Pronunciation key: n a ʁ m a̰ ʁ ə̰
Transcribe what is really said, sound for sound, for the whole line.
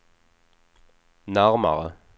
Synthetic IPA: n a ʁ m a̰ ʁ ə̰